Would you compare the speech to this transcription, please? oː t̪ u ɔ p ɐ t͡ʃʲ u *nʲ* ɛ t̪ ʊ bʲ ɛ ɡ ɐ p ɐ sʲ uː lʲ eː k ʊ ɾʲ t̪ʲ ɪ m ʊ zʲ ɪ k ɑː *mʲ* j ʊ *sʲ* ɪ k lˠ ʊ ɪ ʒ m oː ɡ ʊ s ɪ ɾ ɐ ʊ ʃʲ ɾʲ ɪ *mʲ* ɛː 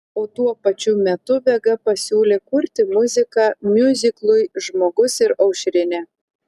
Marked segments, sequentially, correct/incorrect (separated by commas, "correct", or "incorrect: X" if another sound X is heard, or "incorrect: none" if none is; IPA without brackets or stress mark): incorrect: mʲ, correct, incorrect: zʲ, incorrect: nʲ